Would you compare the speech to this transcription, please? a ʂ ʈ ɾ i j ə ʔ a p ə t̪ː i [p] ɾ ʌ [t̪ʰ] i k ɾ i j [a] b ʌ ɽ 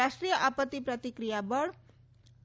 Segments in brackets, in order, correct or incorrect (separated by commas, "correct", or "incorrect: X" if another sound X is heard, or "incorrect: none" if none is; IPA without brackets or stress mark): correct, incorrect: t̪, correct